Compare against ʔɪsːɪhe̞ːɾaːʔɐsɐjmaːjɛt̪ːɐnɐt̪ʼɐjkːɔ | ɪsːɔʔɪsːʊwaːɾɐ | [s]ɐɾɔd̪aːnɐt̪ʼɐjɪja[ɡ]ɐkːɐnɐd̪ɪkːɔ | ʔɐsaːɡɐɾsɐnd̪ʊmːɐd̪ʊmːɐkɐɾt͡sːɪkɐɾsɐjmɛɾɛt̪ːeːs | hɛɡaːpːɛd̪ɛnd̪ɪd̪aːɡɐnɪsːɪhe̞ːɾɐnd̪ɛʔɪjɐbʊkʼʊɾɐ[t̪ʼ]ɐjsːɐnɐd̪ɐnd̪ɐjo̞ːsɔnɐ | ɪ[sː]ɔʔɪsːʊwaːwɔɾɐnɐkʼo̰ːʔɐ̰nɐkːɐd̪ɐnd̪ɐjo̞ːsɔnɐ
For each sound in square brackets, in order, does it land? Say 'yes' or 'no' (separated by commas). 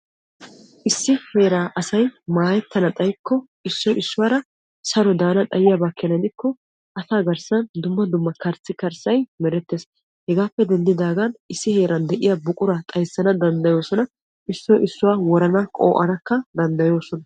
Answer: yes, no, yes, yes